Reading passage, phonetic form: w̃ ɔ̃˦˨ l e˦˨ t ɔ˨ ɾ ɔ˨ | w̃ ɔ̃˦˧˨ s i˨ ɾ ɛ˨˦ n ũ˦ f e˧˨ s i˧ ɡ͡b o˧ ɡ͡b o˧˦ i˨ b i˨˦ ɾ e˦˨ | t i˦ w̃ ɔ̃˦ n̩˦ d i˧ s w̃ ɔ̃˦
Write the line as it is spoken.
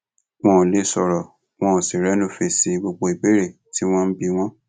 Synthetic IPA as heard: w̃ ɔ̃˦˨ l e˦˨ s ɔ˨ ɾ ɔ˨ | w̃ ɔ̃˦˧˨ s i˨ ɾ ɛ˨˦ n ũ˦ f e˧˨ s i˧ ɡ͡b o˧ ɡ͡b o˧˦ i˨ b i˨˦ ɾ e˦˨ | t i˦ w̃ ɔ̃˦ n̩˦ b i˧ w̃ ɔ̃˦